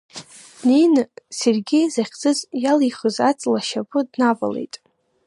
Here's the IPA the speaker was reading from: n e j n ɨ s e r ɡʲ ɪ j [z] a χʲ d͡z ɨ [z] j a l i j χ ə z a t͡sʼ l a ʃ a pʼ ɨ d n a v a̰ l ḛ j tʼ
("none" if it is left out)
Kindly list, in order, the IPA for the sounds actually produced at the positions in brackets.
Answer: z, z

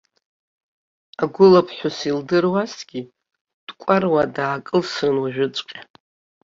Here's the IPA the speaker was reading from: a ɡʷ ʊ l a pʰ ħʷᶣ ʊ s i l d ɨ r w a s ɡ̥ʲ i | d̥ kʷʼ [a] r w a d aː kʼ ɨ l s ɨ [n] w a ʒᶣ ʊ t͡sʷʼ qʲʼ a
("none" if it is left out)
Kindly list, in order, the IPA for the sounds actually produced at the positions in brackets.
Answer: a, n

